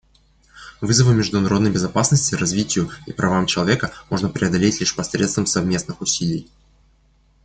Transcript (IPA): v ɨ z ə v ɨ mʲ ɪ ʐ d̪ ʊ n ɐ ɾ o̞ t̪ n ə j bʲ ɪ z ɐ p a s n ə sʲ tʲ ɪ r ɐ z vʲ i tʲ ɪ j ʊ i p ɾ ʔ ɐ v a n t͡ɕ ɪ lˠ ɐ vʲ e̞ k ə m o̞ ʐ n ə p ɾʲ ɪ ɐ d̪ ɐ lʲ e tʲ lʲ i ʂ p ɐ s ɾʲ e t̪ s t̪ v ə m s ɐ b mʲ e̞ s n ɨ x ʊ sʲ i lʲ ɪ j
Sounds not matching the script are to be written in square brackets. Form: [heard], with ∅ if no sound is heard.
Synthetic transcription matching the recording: v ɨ z ə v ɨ mʲ ɪ ʐ d̪ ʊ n ɐ ɾ o̞ [d̪] n ə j bʲ ɪ z ɐ p a s n ə sʲ tʲ ɪ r ɐ z vʲ i tʲ ɪ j ʊ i p ɾ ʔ ɐ v a [m] t͡ɕ ɪ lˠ ɐ vʲ e̞ k ə m o̞ ʐ n ə p ɾʲ ɪ ɐ d̪ ɐ lʲ e tʲ lʲ i ʂ p ɐ s ɾʲ e t̪ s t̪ v ə m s ɐ [v] mʲ e̞ s n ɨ x ʊ sʲ i lʲ ɪ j